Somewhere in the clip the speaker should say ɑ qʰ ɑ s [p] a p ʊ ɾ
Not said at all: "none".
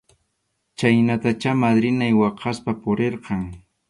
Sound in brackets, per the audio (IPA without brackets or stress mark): p